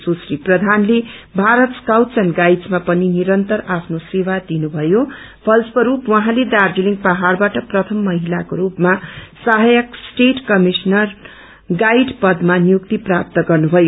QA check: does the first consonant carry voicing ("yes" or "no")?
no